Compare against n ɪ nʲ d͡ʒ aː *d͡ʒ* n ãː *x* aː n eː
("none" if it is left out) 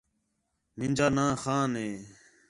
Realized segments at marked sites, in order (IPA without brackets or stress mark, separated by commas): none, x